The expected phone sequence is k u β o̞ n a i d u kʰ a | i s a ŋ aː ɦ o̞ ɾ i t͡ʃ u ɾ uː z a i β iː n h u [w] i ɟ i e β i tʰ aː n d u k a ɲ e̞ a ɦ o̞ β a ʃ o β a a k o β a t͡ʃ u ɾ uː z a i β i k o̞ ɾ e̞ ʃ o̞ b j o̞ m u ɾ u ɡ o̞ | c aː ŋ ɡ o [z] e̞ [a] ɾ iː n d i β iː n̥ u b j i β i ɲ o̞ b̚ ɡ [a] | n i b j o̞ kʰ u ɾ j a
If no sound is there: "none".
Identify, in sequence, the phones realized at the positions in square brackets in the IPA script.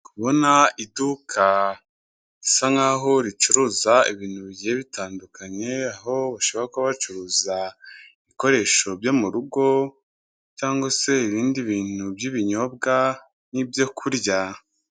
β, s, i, a

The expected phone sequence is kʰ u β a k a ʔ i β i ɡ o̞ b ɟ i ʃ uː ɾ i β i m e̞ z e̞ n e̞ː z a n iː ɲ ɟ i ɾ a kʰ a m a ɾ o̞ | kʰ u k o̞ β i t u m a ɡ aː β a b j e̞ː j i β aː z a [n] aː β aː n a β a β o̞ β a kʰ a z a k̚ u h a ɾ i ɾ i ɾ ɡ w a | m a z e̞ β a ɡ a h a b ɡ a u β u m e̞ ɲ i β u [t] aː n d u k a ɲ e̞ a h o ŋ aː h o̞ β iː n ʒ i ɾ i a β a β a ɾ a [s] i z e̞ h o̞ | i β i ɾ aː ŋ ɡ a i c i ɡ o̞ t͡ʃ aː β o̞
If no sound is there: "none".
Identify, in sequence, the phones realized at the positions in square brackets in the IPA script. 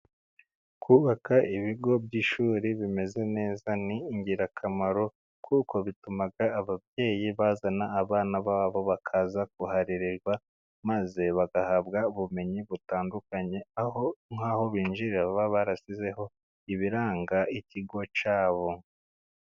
n, t, s

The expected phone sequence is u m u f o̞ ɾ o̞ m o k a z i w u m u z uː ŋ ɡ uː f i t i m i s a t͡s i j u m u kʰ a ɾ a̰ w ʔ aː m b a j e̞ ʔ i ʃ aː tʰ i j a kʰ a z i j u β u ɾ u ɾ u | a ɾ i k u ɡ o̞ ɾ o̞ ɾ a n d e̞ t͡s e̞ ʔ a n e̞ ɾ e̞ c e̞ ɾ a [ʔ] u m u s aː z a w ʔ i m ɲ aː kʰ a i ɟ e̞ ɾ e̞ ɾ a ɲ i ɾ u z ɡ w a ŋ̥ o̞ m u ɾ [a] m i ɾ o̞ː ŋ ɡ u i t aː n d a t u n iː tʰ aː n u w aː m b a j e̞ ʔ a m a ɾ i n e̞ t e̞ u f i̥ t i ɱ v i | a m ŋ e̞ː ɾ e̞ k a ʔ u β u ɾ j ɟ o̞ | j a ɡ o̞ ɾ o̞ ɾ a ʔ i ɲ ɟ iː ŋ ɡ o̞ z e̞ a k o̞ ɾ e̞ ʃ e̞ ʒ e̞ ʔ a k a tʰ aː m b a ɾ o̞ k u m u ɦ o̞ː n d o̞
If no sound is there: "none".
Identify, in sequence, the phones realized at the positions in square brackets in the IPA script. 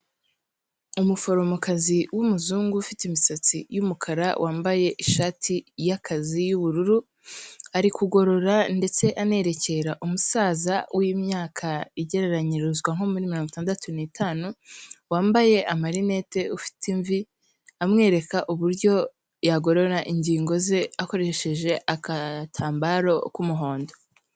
ʔ, i

